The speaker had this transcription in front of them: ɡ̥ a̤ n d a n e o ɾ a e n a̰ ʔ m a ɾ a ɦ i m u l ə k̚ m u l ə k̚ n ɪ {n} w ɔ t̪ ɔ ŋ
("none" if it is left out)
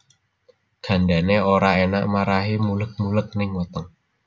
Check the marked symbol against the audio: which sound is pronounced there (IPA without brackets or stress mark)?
ŋ